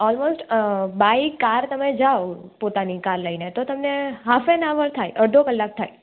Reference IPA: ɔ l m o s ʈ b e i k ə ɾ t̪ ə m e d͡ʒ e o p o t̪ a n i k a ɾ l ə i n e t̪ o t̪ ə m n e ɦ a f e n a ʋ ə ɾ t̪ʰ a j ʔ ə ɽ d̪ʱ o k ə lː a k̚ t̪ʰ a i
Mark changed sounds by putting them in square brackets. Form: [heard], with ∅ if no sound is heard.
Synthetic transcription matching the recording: ɔ l m o s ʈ b [a] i k [a] ɾ t̪ ə m e d͡ʒ [a] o p o t̪ a n i k a ɾ l ə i n e t̪ o t̪ ə m n e ɦ a f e n a ʋ ə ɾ t̪ʰ a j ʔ ə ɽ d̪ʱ o k ə lː a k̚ t̪ʰ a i